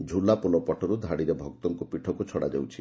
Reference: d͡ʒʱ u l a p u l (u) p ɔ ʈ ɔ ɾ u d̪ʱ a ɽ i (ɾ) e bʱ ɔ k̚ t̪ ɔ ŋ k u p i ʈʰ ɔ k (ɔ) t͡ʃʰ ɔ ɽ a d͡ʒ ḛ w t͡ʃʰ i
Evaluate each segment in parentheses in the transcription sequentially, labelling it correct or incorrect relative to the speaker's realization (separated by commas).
incorrect, correct, incorrect